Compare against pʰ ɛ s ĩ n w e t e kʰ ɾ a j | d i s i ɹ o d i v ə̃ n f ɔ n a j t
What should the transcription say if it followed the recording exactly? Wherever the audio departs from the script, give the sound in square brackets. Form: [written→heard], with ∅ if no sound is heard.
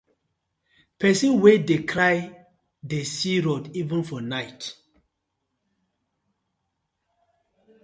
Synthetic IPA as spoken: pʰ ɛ s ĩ n w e [t→d] e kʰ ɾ a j | d [i→e] s i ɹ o d i v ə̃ n f ɔ n a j t